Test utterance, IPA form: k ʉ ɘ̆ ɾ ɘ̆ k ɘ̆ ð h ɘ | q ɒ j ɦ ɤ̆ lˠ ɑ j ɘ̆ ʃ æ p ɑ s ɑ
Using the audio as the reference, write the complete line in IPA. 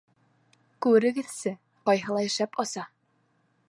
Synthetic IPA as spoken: k ʉ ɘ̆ ɾ ɘ̆ ɡ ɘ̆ ð s ɘ | q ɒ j ɦ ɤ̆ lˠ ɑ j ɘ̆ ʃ æ p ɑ s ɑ